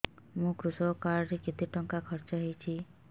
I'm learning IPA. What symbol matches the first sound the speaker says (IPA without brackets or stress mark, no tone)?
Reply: m